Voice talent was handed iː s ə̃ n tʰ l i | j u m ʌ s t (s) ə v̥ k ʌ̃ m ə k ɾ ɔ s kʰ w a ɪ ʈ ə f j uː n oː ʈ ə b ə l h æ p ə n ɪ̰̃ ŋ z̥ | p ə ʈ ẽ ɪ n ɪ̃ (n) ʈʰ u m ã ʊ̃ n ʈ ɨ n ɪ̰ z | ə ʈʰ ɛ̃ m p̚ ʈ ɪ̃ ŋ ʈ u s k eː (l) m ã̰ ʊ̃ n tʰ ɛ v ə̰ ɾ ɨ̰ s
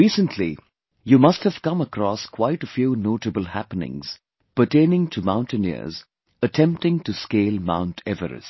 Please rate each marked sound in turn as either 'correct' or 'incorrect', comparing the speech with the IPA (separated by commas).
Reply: incorrect, incorrect, correct